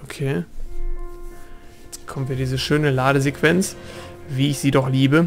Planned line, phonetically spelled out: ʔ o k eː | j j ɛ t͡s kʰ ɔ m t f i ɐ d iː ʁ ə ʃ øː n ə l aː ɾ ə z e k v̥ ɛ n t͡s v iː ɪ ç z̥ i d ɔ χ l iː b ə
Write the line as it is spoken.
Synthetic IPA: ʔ o kʰ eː | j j ɛ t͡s kʰ ɔ m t v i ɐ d iː z ə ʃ øː n ə l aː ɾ ə z e k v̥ ɛ n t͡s v iː ɪ ç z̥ iː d ɔ χ l iː b ə